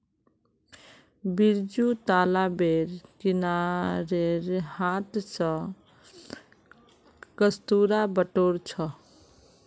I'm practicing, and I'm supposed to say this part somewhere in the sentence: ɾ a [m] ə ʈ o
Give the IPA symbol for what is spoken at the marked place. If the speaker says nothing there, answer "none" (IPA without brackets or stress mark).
b